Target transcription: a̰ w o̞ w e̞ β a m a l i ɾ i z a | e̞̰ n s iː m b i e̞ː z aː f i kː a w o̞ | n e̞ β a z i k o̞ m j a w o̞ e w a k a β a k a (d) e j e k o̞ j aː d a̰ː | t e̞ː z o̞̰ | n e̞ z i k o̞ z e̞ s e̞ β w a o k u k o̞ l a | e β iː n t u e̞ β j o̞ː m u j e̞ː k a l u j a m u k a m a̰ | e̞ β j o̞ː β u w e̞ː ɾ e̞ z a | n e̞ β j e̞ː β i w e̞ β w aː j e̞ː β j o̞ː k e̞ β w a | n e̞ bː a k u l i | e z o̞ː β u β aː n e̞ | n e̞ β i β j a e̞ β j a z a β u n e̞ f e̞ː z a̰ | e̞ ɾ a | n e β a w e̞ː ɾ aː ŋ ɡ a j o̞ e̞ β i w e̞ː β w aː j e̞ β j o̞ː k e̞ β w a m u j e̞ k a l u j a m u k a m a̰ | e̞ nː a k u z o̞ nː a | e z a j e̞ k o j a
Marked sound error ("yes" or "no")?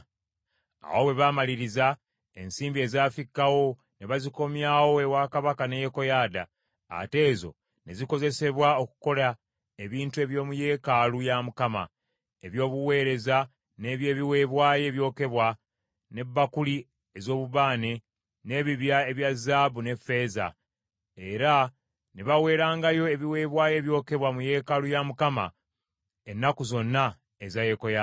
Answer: yes